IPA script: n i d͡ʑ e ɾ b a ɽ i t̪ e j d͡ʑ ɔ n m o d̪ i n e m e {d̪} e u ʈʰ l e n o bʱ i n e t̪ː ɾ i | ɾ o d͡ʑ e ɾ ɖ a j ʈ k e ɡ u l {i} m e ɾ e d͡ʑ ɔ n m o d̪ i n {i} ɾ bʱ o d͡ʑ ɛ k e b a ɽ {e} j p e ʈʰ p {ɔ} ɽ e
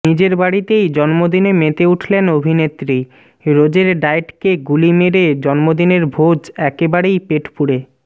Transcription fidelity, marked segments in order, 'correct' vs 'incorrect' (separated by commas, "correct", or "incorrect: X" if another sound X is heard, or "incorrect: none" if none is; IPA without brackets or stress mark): incorrect: t̪, correct, incorrect: e, correct, incorrect: u